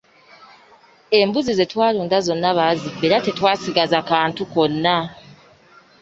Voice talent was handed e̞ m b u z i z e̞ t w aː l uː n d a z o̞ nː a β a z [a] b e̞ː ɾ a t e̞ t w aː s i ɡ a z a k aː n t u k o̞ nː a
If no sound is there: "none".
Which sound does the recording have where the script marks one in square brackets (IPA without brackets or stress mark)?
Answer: i